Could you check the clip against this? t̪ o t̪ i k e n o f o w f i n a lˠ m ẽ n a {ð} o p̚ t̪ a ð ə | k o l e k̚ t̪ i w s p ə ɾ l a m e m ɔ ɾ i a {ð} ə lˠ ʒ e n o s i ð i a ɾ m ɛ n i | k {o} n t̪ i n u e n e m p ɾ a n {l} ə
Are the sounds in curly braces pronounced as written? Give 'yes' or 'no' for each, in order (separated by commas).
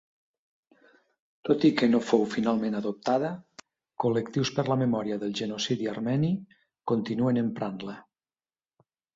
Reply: yes, yes, yes, yes